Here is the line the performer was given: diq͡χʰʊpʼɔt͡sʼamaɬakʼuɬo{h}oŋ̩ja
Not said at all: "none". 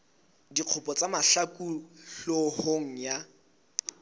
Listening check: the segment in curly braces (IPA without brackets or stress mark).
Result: h